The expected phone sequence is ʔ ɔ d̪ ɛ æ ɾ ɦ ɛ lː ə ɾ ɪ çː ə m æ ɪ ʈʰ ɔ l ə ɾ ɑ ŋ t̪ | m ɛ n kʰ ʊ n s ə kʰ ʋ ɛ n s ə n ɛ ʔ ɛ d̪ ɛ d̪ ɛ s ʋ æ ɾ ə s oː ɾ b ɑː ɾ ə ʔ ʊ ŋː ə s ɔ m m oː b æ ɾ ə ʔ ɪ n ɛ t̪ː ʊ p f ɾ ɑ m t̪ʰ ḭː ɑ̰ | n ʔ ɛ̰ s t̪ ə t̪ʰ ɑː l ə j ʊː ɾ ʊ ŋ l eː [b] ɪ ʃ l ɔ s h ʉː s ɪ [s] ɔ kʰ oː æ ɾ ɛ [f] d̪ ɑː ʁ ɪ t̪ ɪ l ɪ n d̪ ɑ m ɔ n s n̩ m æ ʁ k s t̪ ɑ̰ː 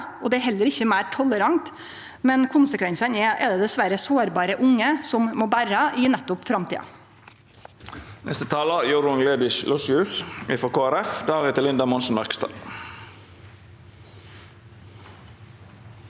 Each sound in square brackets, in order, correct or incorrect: correct, incorrect, correct

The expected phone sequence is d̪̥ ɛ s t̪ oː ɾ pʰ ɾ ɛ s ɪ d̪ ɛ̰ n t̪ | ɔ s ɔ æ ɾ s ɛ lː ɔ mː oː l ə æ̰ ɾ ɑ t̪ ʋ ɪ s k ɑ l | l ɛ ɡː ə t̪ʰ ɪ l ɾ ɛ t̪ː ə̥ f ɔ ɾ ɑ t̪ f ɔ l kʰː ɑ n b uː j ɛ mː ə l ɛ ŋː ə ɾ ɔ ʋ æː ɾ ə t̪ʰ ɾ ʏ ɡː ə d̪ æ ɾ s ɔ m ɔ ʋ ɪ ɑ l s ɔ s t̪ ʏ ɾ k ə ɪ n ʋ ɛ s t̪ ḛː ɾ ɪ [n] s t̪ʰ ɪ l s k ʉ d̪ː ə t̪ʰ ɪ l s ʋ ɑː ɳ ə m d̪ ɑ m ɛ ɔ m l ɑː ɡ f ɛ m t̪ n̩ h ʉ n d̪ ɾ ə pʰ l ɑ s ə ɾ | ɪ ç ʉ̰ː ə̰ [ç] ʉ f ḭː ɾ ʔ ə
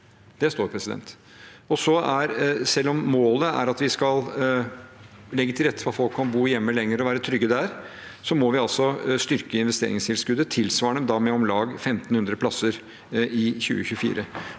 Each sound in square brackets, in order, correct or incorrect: incorrect, correct

